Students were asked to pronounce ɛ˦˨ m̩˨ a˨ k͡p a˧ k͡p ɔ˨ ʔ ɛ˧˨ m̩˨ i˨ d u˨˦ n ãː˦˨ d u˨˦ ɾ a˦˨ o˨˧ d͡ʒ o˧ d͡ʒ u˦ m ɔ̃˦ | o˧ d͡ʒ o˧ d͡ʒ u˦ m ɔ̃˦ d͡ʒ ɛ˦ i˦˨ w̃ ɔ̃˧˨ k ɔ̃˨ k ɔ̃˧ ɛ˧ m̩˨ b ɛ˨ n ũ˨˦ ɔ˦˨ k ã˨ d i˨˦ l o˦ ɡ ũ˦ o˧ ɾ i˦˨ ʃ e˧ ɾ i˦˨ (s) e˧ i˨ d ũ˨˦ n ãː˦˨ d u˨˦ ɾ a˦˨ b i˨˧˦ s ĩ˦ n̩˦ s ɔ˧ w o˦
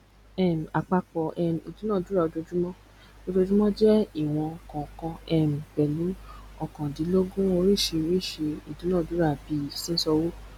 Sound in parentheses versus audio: incorrect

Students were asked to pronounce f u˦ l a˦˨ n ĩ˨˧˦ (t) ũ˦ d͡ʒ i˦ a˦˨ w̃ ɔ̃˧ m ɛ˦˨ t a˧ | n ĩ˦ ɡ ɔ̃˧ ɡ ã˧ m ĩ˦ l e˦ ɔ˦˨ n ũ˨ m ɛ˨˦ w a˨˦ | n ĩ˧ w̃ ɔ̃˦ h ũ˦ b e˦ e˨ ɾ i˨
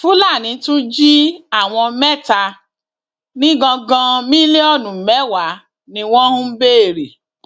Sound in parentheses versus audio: correct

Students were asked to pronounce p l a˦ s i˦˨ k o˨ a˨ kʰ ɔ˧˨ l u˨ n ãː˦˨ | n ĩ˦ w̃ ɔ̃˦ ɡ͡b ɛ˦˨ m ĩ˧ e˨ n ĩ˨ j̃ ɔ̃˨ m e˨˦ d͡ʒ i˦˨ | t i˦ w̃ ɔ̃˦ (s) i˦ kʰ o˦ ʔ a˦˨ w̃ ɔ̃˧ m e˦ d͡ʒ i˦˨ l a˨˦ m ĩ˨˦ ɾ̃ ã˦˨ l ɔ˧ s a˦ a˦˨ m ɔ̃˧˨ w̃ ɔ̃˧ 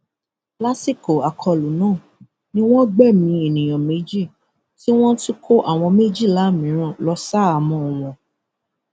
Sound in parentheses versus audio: incorrect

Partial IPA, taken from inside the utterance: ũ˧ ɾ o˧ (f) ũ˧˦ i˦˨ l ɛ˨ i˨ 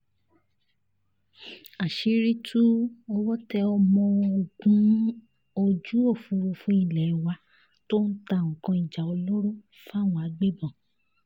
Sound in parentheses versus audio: correct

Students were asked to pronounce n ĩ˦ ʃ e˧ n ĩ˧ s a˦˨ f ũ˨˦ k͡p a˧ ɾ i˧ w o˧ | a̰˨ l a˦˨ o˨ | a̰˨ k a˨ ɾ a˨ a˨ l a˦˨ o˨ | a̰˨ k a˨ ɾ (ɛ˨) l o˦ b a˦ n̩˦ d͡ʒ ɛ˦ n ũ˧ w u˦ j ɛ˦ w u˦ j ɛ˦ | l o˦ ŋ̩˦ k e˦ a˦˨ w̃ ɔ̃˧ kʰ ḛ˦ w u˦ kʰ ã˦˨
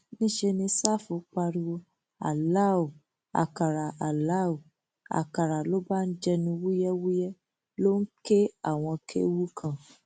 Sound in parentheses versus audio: incorrect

